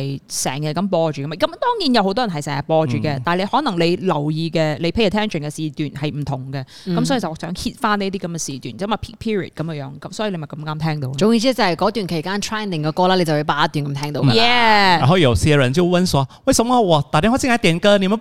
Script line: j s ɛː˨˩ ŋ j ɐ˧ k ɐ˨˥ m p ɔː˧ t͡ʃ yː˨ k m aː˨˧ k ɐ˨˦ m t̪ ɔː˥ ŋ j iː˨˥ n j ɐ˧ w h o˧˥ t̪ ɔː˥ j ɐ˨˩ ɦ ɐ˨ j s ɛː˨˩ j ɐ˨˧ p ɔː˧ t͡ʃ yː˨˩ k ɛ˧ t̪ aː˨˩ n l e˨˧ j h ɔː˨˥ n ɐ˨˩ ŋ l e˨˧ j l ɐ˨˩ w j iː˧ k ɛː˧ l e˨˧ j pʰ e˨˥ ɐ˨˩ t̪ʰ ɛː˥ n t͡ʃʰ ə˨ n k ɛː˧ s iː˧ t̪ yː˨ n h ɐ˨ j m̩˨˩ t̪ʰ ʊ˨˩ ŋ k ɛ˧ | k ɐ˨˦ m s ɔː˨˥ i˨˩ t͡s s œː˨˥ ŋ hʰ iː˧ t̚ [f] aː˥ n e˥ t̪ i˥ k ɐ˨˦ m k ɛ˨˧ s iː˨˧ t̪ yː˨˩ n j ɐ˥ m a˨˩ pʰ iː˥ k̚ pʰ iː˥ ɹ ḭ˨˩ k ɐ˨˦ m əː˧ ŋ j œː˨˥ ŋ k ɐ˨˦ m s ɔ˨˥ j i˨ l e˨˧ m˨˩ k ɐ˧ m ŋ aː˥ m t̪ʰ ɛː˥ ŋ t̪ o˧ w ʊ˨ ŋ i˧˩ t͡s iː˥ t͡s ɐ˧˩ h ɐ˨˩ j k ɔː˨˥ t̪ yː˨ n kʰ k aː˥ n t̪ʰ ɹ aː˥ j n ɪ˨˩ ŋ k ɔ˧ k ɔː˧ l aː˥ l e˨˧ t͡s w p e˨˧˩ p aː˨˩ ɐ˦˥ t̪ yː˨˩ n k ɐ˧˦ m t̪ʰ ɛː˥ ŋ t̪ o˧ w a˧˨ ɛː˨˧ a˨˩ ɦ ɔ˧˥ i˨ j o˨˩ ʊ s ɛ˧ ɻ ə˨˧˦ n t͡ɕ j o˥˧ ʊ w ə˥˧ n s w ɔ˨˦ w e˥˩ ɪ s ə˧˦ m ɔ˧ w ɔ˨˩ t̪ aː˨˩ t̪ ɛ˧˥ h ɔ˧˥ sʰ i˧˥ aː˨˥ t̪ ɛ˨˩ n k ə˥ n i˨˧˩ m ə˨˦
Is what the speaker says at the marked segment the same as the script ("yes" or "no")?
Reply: yes